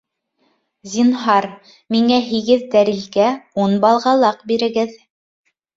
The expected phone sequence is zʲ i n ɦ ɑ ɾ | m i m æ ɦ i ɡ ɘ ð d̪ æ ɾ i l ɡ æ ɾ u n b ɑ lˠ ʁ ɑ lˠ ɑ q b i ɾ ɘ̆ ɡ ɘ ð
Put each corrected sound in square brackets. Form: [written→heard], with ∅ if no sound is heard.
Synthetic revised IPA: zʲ i n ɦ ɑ ɾ | m i [m→ŋ] æ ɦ i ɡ ɘ ð d̪ æ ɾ i l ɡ æ [ɾ→∅] u n b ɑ lˠ ʁ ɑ lˠ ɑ q b i ɾ ɘ̆ ɡ ɘ ð